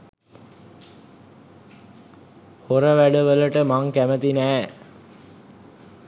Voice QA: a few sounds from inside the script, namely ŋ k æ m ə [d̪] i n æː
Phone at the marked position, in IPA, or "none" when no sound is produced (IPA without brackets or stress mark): t̪